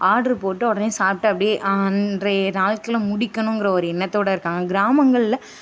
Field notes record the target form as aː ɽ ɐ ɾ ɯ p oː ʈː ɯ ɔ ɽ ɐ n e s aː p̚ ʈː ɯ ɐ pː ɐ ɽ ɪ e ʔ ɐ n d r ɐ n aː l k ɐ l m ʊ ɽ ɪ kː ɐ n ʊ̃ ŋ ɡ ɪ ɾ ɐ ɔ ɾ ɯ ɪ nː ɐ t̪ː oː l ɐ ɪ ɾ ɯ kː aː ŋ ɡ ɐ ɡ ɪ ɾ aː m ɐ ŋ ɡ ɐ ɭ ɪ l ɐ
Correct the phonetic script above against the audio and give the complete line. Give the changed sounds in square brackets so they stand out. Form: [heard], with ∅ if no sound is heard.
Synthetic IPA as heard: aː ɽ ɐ ɾ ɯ p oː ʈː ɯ ɔ ɽ ɐ n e s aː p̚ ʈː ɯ ɐ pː ɐ ɽ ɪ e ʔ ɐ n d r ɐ n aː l k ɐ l m ʊ ɽ ɪ kː ɐ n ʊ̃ ŋ ɡ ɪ ɾ ɐ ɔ ɾ ɯ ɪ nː ɐ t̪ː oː [ɽ] ɐ ɪ ɾ ɯ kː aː ŋ ɡ ɐ ɡ ɪ ɾ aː m ɐ ŋ ɡ ɐ ɭ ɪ l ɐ